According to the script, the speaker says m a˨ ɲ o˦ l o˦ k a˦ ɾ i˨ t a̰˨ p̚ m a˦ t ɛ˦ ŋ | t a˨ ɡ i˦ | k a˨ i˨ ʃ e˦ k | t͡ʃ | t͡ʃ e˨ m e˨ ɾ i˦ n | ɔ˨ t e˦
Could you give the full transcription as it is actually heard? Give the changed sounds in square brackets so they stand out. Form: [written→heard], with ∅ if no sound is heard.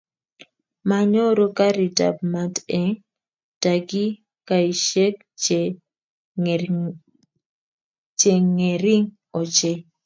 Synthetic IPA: m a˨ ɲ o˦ [l→ɾ] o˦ k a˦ ɾ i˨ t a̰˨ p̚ m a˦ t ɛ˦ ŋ | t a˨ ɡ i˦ | k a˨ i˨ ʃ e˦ k | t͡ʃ | t͡ʃ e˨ [m→ŋ] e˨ ɾ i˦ [n→ŋ] | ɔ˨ [t→t͡ʃ] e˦